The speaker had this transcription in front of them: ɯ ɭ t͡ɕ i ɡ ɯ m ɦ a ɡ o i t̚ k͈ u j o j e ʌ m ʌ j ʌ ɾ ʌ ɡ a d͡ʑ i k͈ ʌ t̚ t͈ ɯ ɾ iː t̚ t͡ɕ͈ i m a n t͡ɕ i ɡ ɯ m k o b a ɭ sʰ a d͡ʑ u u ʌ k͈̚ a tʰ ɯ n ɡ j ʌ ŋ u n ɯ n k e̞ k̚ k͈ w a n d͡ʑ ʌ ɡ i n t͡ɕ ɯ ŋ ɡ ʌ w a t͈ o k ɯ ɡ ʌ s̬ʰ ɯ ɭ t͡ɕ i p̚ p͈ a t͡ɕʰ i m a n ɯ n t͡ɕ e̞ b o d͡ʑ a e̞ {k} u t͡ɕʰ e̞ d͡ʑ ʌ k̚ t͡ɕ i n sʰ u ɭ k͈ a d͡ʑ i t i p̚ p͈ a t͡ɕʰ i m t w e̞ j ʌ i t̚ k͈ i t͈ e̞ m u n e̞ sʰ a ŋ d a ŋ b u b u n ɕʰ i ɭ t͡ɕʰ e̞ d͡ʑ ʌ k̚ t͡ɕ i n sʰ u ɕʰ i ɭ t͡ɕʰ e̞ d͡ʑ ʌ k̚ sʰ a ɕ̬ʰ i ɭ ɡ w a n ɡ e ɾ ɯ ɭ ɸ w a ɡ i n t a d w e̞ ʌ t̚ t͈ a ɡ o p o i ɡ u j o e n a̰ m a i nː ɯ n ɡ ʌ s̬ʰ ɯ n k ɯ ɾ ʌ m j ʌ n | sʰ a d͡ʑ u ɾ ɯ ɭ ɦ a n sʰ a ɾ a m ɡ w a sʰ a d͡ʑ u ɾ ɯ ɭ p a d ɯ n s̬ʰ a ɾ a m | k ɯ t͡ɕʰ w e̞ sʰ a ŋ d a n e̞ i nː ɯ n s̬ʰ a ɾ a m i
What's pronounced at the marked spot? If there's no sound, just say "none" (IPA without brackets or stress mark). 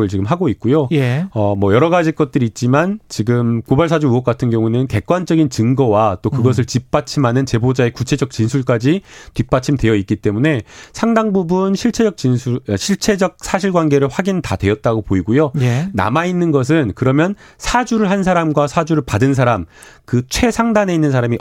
k